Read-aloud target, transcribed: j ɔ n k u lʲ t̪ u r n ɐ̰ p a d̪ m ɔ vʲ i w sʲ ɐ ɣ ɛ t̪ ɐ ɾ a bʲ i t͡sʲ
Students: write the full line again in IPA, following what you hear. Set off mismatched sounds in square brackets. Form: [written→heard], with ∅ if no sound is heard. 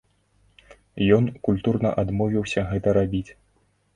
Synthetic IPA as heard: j ɔ n k u lʲ t̪ u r n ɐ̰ [p→ʔ] a d̪ m ɔ vʲ i w sʲ ɐ ɣ ɛ t̪ ɐ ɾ a bʲ i t͡sʲ